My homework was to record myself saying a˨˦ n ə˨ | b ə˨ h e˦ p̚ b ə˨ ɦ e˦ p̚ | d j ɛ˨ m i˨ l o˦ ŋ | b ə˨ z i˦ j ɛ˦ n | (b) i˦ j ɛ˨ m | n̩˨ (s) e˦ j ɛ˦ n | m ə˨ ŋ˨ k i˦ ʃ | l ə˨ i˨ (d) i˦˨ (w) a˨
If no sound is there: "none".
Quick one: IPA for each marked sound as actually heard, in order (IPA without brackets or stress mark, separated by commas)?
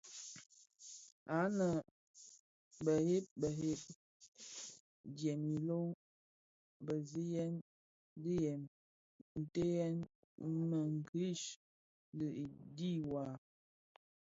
d, t, d, w